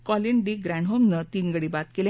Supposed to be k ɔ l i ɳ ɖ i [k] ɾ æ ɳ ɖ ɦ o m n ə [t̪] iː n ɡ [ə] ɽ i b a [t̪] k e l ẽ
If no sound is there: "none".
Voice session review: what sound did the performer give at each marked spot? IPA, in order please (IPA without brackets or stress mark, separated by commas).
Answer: ɡ, t̪, ə, t̪